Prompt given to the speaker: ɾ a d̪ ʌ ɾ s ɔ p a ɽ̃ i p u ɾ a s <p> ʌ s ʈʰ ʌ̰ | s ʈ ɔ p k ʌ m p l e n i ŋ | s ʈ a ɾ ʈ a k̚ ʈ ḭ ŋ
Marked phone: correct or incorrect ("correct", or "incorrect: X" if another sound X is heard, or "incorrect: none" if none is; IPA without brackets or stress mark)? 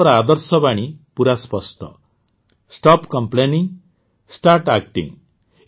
correct